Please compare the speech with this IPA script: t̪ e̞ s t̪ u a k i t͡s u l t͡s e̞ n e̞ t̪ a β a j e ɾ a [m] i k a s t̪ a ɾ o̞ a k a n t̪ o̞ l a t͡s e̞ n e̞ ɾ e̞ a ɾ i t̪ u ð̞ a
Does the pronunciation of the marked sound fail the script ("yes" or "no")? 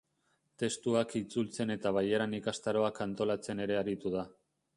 yes